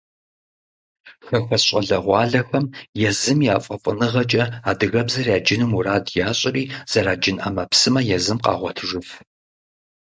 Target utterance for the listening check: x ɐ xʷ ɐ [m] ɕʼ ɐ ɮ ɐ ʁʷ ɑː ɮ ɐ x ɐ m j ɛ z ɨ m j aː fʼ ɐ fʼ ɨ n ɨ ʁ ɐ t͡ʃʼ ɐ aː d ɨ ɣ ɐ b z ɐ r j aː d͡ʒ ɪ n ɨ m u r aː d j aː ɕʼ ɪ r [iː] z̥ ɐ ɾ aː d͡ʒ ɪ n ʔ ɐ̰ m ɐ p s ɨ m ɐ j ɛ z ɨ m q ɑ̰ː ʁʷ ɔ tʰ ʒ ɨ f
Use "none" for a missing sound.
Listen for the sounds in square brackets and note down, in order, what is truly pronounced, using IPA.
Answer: none, iː

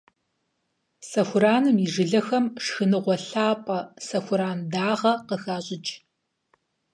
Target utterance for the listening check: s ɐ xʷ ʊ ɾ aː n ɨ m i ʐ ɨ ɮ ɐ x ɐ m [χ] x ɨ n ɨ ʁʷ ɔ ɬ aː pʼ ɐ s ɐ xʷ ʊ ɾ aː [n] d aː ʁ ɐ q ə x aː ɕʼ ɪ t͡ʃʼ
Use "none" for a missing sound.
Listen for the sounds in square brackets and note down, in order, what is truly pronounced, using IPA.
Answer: ʂ, n

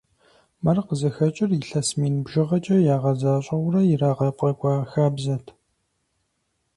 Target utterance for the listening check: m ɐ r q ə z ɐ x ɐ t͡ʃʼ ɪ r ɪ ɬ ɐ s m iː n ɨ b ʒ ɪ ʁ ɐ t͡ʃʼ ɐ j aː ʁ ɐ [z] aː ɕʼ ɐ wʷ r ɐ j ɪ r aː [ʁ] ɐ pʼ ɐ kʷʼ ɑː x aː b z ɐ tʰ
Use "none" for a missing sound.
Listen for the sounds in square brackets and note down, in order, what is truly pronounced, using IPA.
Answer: z, ʁ

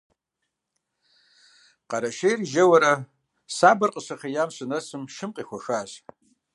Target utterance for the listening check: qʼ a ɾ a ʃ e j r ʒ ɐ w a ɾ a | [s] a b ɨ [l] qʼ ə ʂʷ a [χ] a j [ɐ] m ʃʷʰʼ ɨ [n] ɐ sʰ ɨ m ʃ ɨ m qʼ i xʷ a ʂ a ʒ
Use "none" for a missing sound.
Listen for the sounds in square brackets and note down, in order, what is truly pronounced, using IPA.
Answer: s, r, χ, a, n

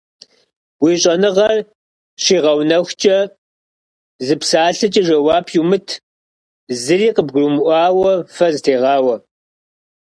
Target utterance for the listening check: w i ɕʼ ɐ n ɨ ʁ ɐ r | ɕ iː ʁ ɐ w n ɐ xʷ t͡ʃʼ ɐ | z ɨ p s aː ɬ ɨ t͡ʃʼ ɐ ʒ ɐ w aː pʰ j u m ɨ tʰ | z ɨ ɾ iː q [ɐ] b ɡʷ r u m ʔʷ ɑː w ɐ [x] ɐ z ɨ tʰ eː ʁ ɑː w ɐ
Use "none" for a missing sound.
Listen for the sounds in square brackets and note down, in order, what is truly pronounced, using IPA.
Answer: ə, f

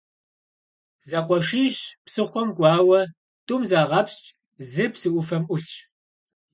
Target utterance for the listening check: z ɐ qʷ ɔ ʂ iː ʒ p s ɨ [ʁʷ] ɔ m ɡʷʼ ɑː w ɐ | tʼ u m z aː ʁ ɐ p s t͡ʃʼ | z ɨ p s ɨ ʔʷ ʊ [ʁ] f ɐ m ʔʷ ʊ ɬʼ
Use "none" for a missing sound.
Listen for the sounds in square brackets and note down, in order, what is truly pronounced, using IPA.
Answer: χʷ, none

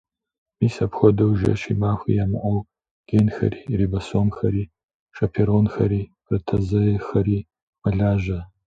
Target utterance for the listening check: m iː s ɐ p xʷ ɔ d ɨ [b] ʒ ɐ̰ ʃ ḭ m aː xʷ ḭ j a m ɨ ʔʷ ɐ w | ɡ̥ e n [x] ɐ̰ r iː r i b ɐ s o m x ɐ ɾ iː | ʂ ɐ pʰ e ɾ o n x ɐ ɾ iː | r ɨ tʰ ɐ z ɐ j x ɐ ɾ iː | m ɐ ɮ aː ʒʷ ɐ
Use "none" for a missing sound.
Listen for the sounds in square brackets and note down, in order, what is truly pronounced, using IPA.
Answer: w, x

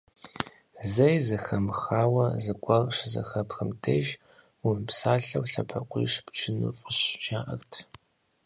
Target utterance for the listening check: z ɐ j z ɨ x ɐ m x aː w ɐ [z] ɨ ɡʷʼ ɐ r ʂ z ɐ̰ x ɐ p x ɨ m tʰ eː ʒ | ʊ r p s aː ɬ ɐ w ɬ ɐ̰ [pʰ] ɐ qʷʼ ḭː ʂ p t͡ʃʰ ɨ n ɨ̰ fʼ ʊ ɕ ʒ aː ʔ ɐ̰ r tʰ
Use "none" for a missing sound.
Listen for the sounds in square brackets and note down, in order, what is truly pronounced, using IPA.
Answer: z, pʰ

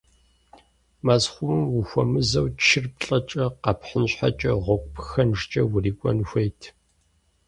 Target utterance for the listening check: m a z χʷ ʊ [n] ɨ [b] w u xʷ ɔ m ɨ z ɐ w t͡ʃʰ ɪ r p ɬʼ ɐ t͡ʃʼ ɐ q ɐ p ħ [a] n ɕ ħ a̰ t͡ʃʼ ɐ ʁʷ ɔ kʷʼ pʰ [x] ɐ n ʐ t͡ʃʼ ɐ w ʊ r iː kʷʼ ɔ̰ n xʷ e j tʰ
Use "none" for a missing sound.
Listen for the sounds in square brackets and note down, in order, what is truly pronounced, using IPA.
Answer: m, m, ə, x

